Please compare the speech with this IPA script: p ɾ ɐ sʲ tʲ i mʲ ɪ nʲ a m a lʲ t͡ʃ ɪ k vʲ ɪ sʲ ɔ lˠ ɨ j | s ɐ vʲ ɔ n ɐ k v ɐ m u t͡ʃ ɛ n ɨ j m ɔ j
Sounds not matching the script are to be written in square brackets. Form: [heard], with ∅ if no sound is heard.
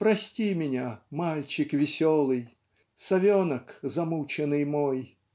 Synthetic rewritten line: p ɾ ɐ sʲ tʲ i mʲ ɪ nʲ a m a lʲ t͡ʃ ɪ k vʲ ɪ sʲ ɔ lˠ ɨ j | s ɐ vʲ ɔ n ɐ k [z] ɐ m u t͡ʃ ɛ n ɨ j m ɔ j